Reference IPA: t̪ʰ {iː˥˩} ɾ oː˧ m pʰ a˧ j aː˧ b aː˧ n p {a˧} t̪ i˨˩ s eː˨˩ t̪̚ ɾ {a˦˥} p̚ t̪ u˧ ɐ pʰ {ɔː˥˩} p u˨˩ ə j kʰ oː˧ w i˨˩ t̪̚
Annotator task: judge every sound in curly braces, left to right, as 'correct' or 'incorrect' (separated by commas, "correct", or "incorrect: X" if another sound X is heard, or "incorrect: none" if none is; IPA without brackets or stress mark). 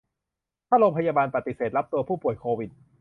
incorrect: aː˥˩, incorrect: a˨˩, correct, incorrect: uː˥˩